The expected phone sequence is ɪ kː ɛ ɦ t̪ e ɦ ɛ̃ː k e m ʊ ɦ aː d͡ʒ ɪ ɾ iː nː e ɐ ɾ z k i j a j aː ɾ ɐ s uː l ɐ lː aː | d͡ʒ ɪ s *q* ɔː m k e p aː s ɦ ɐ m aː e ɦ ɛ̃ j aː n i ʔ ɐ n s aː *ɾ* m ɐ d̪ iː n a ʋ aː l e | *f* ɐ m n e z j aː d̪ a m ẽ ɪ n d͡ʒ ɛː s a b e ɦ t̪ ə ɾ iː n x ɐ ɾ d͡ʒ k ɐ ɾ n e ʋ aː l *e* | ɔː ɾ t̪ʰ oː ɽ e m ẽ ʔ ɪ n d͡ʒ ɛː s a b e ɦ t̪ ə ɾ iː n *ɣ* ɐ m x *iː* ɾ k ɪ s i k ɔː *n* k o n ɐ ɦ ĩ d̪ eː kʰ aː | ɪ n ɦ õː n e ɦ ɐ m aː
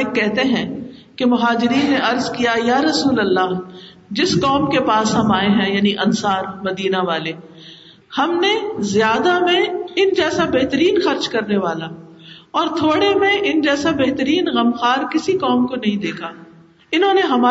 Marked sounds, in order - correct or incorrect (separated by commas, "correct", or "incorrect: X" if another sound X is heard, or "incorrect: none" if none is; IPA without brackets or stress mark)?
incorrect: k, correct, incorrect: h, incorrect: a, correct, incorrect: aː, incorrect: m